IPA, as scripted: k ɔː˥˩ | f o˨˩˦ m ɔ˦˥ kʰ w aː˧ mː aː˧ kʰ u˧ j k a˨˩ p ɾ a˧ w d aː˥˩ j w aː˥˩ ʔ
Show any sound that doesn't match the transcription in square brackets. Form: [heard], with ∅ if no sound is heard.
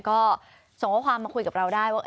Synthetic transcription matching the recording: k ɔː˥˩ | [s] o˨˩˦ [ŋ] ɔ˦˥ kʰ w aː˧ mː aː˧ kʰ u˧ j k a˨˩ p ɾ a˧ w d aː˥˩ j w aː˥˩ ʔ